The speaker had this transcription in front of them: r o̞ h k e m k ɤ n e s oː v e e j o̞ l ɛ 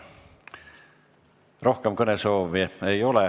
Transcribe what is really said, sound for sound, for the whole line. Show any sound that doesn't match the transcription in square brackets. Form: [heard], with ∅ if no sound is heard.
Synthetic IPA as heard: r o̞ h k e m k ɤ n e s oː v [i] e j o̞ l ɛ